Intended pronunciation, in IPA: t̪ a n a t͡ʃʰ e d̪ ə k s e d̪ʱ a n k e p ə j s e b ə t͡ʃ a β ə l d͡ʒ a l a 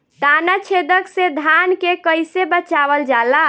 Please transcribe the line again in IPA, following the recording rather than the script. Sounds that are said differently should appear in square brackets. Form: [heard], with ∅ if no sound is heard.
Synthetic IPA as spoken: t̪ a n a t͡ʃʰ e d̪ ə k s e d̪ʱ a n k e [k] ə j s e b ə t͡ʃ a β ə l d͡ʒ a l a